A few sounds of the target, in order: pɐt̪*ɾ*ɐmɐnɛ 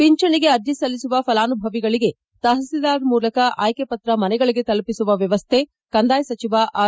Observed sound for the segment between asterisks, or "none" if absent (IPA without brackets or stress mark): ɾ